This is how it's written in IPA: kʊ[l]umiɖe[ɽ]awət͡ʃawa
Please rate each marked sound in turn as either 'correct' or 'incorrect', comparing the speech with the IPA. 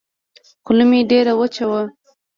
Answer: correct, incorrect

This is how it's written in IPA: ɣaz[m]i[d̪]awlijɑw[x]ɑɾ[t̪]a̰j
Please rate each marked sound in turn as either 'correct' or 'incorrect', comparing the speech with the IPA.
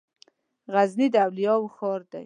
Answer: incorrect, correct, correct, incorrect

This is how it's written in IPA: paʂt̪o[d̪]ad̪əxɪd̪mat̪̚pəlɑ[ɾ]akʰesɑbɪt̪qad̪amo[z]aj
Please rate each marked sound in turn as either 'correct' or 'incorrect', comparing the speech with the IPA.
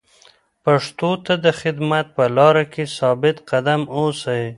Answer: incorrect, correct, incorrect

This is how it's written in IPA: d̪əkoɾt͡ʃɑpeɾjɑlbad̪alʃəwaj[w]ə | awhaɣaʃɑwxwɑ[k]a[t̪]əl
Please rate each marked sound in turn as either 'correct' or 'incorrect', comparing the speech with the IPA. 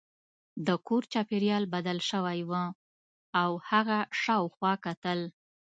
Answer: correct, correct, correct

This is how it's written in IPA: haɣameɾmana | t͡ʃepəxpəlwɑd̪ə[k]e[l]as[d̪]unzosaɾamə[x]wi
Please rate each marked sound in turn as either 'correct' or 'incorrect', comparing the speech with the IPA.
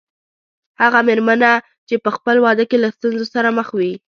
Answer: correct, correct, incorrect, correct

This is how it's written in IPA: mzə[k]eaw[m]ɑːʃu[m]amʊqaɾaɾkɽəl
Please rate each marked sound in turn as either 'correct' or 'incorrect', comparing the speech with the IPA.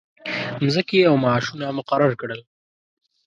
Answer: correct, correct, incorrect

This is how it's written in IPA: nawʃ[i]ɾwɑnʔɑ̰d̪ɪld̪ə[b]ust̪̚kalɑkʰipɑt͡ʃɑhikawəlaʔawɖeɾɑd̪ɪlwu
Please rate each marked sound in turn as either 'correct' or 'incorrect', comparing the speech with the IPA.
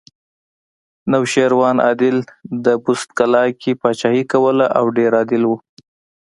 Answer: incorrect, correct

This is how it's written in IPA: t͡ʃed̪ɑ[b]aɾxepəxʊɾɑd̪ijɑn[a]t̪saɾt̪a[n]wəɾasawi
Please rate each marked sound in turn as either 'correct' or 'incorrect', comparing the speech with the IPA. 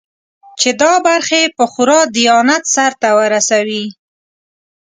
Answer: correct, correct, incorrect

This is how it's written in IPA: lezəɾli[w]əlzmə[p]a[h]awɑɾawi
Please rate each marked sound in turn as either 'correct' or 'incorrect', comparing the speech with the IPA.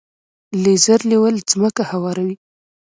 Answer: correct, incorrect, correct

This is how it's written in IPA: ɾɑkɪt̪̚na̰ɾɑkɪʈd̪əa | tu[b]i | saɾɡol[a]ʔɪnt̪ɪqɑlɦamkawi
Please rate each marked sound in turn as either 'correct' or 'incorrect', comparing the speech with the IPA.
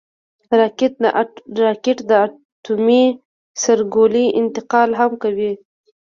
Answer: incorrect, incorrect

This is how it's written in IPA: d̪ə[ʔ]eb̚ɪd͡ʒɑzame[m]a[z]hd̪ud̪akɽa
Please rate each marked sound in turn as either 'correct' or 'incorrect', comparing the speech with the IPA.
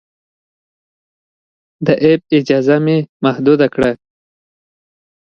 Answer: correct, correct, incorrect

